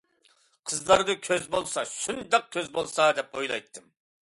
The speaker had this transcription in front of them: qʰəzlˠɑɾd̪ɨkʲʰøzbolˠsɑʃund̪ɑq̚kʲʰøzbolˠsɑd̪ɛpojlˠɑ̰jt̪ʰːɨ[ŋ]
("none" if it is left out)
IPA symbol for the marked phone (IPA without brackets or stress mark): m